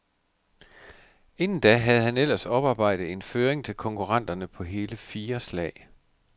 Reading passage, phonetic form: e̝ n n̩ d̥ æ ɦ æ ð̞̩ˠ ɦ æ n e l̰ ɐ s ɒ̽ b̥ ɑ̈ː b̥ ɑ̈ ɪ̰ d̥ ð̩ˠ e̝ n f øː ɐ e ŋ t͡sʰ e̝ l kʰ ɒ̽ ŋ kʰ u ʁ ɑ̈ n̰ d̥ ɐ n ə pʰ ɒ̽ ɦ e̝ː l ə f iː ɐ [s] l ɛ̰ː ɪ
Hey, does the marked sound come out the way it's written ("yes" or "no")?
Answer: yes